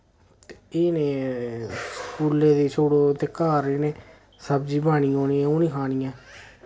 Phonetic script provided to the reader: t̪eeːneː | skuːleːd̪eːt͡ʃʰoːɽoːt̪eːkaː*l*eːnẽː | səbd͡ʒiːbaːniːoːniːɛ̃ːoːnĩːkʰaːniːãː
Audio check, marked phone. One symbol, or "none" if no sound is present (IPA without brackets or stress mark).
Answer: ɾ